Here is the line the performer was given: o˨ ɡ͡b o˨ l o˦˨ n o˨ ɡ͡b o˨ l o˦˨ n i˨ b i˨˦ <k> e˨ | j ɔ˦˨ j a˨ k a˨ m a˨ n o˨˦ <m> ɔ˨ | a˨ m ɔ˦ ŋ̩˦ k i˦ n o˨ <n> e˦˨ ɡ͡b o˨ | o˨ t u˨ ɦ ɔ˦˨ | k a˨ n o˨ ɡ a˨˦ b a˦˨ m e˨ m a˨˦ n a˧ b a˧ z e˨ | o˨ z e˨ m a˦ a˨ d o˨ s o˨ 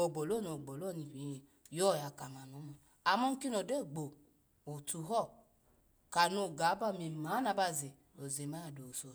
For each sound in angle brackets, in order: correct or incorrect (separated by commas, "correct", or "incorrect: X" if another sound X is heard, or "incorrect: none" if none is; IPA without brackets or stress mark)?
incorrect: none, correct, incorrect: d